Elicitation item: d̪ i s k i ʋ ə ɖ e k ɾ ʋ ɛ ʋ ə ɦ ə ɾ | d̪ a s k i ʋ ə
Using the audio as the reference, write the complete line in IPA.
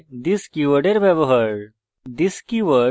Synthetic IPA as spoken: d̪ i s k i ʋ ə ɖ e ɾ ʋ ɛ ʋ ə ɦ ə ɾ | d̪ i s k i ʋ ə